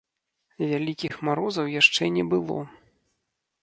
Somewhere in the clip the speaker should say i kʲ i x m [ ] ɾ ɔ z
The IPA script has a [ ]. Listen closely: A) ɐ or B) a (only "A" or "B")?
B